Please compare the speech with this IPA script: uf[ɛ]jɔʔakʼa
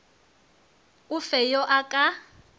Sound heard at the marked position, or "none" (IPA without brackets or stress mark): ɛ